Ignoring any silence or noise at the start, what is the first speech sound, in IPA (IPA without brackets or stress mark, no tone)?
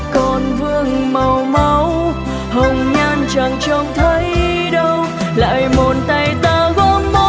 k